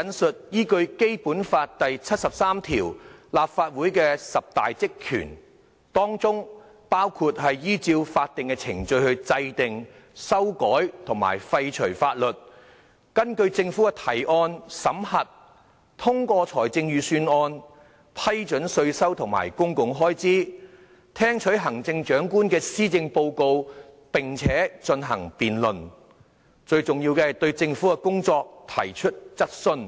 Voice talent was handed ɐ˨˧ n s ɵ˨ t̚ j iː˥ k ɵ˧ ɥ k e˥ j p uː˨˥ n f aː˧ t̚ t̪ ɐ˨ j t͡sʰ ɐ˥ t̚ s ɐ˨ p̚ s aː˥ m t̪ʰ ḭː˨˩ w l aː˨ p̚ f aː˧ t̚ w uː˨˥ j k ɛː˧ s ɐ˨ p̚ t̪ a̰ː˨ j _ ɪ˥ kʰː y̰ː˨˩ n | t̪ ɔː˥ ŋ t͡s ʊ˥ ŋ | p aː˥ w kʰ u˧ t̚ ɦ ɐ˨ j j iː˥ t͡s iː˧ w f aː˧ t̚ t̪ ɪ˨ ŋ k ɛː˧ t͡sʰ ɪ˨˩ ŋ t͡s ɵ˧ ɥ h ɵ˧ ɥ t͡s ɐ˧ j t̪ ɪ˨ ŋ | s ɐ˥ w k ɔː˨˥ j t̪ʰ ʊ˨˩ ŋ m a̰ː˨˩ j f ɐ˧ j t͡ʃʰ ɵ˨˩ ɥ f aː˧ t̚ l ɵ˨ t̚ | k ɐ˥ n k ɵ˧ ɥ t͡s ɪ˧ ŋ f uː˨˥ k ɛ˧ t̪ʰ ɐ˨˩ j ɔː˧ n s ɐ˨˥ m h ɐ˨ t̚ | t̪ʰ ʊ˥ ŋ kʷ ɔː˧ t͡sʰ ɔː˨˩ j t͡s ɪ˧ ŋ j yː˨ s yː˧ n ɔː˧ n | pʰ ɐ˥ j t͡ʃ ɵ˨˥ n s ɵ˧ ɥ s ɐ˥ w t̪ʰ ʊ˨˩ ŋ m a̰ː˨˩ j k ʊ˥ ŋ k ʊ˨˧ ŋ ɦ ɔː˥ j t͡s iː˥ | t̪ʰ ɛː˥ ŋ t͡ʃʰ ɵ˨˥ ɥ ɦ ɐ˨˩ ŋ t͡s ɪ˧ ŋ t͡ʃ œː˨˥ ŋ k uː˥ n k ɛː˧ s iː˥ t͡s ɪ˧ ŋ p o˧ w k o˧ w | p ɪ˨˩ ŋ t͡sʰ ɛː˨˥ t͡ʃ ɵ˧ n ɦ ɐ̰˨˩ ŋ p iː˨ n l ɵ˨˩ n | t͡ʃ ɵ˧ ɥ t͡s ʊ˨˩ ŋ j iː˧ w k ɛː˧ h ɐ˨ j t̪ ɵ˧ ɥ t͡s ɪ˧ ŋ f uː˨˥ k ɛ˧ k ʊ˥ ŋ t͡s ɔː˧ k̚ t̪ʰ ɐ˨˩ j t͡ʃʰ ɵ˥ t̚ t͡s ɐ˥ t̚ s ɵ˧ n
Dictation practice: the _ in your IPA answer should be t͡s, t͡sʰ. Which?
t͡s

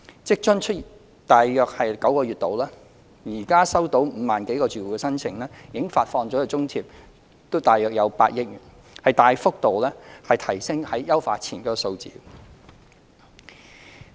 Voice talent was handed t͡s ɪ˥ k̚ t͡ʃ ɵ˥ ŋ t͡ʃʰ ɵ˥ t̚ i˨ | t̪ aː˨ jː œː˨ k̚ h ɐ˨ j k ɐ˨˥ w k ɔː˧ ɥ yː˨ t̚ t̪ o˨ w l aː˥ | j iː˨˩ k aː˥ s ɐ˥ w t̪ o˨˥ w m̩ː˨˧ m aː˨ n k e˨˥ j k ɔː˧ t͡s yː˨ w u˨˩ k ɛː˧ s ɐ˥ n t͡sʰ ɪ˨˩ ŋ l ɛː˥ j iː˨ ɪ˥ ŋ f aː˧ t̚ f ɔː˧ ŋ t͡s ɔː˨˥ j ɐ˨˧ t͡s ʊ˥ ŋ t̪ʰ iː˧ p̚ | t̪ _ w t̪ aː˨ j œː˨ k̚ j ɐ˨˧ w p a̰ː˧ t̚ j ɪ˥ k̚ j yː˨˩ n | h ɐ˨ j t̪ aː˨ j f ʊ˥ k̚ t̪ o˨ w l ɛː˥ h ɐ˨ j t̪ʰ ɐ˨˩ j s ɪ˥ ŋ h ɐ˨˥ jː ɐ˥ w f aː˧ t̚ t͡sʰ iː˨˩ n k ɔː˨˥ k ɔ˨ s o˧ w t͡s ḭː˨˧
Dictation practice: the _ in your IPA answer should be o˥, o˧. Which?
o˥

